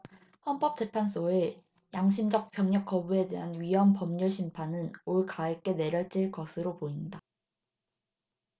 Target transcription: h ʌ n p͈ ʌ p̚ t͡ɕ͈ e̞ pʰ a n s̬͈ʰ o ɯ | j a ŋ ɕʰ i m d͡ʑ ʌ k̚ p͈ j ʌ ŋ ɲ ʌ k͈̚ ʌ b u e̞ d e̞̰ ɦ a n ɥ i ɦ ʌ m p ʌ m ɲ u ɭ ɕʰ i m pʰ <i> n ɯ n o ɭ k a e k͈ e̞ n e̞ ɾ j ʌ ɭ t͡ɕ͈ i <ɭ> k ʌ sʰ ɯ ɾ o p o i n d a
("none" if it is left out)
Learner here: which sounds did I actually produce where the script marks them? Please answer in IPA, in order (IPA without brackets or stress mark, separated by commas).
a, ɭ